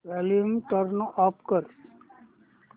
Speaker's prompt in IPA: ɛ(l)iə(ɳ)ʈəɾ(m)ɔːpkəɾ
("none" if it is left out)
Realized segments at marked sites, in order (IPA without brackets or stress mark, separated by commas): l, m, n